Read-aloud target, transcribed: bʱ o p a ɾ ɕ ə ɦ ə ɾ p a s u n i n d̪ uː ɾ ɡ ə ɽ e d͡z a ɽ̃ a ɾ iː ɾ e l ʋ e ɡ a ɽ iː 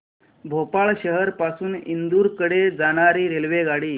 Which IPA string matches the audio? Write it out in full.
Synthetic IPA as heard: bʱ o p a ɭ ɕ ə ɦ ə ɾ p a s uː n i n d̪ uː ɾ k ə ɽ e d͡z a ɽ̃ a ɾ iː ɾ e l ʋ e ɡ a ɽ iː